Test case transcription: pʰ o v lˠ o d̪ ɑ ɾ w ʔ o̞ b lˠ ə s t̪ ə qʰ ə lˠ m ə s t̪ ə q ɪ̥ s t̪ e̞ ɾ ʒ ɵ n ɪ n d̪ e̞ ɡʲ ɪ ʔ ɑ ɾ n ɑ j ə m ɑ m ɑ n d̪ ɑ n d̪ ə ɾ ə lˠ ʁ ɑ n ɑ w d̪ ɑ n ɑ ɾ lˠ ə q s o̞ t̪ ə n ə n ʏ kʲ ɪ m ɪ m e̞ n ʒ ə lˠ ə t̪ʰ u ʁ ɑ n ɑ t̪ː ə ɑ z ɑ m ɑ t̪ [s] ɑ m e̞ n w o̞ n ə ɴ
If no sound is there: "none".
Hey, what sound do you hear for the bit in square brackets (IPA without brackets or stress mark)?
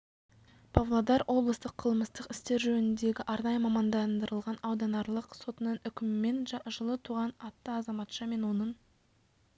ʃ